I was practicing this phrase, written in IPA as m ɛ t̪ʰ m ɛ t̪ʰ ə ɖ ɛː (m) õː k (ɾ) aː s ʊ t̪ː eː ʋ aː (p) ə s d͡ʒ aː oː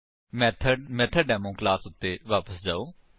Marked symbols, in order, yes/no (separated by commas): yes, no, yes